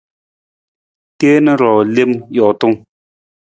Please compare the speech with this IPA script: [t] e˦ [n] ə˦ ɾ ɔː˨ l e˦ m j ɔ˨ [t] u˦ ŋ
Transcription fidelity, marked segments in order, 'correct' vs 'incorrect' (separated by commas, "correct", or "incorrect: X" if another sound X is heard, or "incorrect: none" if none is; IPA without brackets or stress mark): correct, correct, correct